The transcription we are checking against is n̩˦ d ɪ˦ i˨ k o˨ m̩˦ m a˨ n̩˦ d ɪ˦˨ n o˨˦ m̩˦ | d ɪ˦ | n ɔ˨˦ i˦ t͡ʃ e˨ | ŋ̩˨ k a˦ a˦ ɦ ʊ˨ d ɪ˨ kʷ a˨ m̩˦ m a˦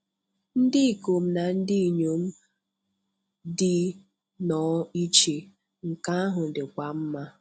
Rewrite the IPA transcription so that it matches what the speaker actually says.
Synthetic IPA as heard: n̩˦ d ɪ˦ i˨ k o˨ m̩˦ n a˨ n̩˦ d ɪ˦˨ ɲ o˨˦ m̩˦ | d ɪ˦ | n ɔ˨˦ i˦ t͡ʃ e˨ | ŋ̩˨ k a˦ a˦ ɦ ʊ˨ d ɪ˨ kʷ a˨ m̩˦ m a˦